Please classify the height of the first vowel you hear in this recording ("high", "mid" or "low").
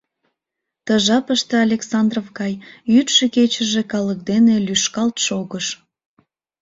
mid